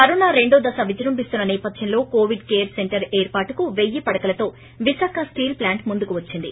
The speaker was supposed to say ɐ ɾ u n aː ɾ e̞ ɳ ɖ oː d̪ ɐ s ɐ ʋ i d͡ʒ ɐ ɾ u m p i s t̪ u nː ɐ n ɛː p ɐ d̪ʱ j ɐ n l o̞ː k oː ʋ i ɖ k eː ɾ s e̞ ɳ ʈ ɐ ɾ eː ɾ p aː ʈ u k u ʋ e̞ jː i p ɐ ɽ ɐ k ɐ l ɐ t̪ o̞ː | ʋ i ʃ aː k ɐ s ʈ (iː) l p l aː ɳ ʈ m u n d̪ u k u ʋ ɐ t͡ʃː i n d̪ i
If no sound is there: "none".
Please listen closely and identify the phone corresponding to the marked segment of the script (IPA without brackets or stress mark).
iː